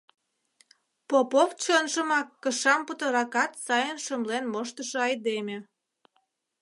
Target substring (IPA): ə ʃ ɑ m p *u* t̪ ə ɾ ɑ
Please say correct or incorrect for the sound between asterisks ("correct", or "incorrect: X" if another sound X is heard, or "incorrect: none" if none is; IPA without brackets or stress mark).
correct